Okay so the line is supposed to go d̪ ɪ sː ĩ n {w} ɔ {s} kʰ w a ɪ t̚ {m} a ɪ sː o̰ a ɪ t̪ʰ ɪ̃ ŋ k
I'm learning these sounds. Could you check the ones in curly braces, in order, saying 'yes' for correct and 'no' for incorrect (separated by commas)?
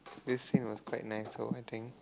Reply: yes, yes, no